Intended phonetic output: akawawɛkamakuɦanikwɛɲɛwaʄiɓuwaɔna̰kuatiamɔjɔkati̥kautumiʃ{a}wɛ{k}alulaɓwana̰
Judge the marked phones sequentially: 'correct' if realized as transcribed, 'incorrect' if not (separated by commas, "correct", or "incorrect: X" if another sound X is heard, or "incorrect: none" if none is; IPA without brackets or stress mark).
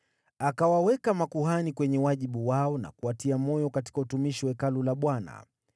incorrect: i, correct